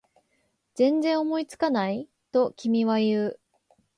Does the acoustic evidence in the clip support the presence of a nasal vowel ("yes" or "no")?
yes